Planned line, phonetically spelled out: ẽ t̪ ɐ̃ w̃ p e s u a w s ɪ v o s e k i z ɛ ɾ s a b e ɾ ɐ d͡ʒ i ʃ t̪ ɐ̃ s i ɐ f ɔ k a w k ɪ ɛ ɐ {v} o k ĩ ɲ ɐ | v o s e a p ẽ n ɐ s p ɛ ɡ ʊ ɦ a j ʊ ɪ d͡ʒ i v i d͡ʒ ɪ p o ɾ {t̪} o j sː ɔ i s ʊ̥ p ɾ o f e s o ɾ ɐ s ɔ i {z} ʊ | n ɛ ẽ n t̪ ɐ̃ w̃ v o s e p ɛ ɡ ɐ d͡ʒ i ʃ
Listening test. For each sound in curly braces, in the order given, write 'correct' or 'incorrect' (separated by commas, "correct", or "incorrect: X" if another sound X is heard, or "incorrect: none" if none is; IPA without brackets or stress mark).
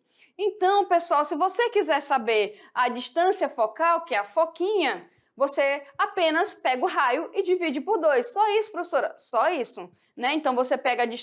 incorrect: f, incorrect: d̪, incorrect: s